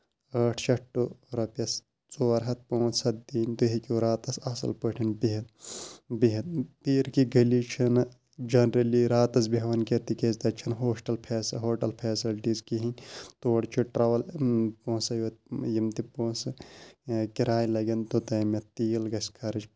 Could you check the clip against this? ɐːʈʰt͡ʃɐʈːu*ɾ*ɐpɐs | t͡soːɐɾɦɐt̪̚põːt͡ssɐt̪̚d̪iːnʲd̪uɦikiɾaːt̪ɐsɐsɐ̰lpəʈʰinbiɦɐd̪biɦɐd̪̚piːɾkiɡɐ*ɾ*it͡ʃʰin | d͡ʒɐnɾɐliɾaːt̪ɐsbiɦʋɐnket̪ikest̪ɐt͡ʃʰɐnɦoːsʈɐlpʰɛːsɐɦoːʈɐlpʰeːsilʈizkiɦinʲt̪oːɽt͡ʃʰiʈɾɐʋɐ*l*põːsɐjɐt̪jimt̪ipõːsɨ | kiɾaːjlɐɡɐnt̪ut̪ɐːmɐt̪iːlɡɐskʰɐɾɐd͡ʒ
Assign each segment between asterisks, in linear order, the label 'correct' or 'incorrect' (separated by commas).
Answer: correct, incorrect, correct